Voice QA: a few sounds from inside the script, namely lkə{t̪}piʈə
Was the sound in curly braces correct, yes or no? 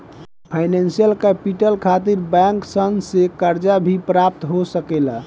no